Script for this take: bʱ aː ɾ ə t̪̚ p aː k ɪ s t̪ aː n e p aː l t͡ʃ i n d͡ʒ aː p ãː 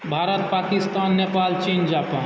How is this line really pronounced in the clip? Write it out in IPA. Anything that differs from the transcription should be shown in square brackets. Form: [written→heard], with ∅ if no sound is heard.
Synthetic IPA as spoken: bʱ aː ɾ ə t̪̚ p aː k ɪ s t̪ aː [n→nː] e p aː l t͡ʃ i n d͡ʒ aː p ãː